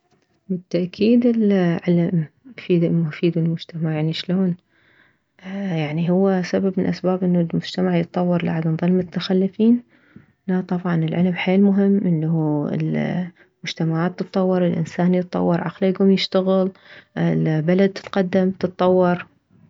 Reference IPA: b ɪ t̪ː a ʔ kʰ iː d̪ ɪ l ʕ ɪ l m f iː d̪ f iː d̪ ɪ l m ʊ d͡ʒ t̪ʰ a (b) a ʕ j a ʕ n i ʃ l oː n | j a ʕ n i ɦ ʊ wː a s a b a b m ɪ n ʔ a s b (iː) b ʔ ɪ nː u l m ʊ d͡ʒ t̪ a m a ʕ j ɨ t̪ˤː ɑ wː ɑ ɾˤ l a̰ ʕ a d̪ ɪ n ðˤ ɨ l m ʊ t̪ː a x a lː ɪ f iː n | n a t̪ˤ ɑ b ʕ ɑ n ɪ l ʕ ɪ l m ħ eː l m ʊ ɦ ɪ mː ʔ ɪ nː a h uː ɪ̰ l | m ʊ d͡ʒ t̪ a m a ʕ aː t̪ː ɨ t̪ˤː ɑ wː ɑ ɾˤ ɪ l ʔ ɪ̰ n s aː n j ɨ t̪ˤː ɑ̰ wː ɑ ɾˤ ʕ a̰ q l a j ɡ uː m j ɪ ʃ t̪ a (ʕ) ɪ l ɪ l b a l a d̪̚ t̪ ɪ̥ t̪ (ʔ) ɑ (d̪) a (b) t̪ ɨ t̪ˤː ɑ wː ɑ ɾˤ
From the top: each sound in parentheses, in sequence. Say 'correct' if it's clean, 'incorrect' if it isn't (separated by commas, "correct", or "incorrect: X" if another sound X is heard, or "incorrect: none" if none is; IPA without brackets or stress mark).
incorrect: m, incorrect: aː, incorrect: ɣ, incorrect: q, incorrect: d̪ː, incorrect: m